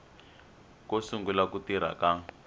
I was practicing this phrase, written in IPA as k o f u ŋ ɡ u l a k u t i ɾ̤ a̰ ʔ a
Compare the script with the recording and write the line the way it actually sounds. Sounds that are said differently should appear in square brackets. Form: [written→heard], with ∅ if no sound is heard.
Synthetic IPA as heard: k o [f→s] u ŋ ɡ u l a k u t i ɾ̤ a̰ [ʔ→k] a